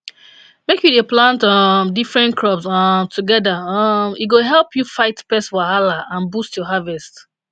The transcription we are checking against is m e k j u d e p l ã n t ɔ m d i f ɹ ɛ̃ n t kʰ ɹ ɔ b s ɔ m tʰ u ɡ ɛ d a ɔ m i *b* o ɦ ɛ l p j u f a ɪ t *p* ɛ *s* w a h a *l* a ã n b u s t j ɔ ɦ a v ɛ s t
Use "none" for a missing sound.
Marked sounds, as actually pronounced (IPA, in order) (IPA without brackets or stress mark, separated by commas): ɡ, p, s, l